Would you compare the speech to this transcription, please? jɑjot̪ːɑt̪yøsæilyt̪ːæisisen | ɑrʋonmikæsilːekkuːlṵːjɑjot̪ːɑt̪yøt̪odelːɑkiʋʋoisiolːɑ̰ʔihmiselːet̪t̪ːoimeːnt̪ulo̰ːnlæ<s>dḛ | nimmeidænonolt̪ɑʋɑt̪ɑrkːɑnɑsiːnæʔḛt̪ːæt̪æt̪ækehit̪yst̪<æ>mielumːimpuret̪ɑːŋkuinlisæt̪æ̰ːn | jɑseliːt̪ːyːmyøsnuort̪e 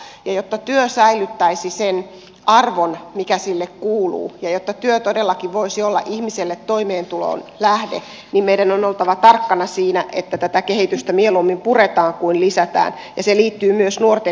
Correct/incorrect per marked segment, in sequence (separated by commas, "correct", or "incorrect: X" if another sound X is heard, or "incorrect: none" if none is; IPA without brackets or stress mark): incorrect: h, correct